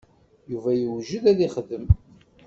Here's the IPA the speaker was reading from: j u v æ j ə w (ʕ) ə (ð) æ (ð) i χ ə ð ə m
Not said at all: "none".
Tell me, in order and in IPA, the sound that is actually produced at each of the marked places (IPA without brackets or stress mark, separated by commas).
ʒ, ð, ð